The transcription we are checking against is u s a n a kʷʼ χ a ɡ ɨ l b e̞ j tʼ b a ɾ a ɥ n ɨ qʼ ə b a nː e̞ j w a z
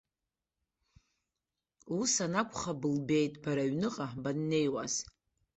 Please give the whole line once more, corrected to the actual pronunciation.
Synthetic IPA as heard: u s a n a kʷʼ χ a b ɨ l b e̞ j tʼ b a ɾ a ɥ n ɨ qʼ a b a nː e̞ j w a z